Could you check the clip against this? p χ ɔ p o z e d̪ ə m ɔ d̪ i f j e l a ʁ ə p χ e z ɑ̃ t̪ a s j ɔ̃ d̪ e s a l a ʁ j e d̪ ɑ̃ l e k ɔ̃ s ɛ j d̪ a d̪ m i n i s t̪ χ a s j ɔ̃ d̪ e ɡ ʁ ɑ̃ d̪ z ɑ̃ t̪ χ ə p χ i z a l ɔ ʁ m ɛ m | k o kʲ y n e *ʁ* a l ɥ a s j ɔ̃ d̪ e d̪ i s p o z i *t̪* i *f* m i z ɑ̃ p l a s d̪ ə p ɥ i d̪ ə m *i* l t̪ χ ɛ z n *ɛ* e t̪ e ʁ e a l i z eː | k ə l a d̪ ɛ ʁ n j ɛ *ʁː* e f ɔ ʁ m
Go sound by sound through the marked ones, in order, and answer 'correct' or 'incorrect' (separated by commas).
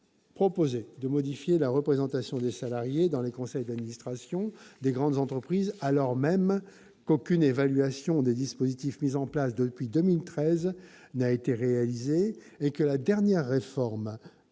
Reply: incorrect, correct, correct, correct, incorrect, correct